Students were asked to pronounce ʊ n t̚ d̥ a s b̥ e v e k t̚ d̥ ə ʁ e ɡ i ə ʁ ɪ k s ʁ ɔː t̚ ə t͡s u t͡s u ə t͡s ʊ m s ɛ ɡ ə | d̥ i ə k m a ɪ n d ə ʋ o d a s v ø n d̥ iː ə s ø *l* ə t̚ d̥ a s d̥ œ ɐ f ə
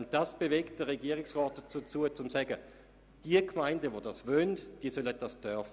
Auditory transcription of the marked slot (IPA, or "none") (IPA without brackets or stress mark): l